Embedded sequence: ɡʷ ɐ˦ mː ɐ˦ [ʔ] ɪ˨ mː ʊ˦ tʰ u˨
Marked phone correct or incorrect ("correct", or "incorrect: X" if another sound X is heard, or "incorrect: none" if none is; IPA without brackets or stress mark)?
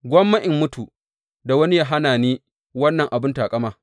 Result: correct